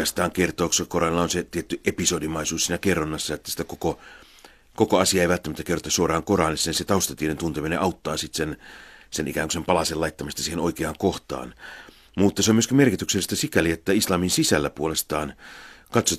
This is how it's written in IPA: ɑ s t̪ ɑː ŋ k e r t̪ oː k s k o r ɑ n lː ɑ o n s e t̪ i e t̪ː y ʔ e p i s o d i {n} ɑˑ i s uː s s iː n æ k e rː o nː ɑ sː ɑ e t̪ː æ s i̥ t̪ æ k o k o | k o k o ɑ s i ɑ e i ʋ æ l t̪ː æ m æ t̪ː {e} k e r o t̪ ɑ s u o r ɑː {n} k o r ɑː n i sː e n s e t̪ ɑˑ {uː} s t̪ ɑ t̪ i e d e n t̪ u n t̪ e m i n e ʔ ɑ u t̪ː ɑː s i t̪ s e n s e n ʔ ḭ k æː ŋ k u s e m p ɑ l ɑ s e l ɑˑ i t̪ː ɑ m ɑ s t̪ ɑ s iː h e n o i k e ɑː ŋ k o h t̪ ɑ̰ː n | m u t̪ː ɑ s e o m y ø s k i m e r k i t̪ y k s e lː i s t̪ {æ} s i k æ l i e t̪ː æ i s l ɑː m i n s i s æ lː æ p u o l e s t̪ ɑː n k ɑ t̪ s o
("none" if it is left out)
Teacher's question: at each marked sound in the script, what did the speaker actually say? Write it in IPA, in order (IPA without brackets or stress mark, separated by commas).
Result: m, æ, ŋ, u, æ